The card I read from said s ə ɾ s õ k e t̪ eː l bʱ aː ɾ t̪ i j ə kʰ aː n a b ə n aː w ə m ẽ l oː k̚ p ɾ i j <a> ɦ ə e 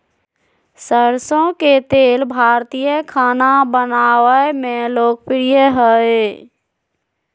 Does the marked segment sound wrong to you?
yes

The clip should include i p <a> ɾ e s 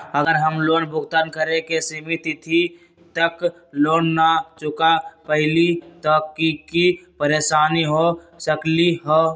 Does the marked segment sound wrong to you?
yes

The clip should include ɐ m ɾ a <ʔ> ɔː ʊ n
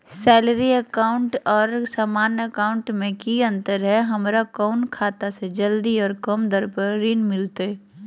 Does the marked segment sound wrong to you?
yes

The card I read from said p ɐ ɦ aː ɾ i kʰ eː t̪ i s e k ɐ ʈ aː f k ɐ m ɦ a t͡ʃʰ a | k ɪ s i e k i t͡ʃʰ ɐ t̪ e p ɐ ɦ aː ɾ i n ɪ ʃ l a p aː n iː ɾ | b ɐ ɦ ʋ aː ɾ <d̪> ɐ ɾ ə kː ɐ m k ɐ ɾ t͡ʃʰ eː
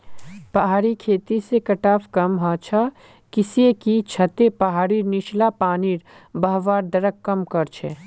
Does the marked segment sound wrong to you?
no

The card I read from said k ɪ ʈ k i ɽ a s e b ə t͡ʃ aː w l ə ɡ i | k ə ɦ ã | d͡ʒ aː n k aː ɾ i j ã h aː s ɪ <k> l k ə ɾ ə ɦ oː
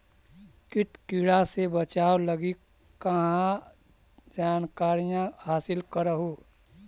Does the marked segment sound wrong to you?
yes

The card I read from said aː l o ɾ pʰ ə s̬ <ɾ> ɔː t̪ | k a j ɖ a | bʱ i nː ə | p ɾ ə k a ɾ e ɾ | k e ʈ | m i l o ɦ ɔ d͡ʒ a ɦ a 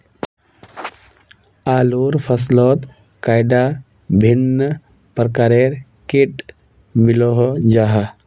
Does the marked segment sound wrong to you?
yes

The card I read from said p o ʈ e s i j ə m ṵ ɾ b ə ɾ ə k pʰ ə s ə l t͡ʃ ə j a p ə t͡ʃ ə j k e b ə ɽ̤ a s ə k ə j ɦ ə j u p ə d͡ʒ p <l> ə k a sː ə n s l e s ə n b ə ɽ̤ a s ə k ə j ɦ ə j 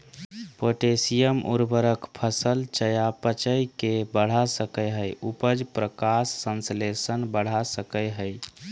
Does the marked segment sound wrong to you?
yes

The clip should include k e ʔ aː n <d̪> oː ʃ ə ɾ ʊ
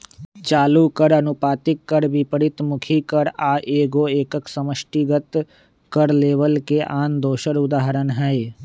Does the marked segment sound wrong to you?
no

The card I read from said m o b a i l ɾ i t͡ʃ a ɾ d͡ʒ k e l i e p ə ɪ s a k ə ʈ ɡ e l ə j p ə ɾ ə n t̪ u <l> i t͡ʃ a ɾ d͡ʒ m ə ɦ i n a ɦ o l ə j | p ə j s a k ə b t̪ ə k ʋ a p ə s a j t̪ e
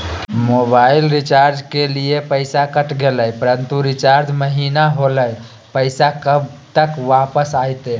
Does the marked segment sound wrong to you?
yes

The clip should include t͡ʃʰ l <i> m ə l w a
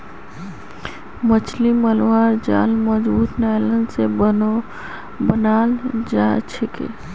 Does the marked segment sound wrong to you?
no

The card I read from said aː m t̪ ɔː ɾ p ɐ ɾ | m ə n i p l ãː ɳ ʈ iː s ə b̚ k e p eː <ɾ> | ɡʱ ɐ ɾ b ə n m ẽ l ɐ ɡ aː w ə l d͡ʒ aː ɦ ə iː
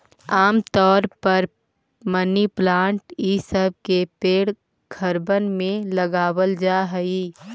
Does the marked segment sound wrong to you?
yes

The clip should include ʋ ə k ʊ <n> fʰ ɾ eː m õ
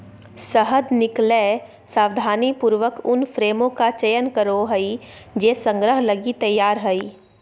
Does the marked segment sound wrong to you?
no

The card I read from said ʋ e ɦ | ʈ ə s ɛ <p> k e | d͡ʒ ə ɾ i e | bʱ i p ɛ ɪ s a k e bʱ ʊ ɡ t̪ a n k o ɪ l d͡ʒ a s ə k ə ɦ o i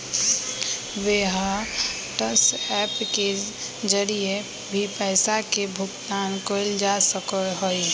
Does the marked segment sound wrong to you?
no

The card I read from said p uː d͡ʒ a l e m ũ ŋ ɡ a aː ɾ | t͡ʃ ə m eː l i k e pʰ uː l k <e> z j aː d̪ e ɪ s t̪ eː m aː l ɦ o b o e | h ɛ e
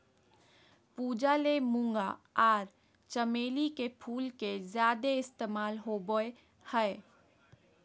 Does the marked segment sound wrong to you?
no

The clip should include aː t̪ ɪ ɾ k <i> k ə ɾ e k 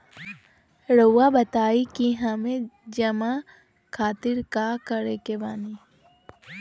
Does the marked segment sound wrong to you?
yes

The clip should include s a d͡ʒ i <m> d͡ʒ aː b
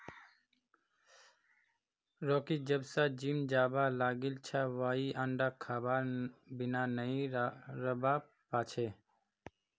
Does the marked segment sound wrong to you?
no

